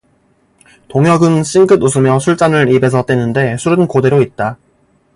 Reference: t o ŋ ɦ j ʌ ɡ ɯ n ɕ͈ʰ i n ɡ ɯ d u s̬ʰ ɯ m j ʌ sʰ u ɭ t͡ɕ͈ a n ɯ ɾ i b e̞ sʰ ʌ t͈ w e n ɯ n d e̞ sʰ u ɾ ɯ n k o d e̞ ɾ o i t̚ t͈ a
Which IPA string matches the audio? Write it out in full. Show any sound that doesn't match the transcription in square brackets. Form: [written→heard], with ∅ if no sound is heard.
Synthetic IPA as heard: t o ŋ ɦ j ʌ ɡ ɯ n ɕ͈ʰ i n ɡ ɯ d u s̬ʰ ɯ m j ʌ sʰ u ɭ t͡ɕ͈ a n ɯ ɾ i b e̞ sʰ ʌ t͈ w e n ɯ n d e̞ sʰ u ɾ ɯ n k o d e̞ ɾ o i t̚ t͈ a